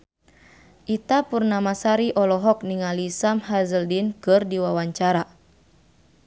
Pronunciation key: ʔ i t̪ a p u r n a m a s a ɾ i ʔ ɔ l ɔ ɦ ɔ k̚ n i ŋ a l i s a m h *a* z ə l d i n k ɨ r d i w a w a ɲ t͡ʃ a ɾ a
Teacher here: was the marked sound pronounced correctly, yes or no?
yes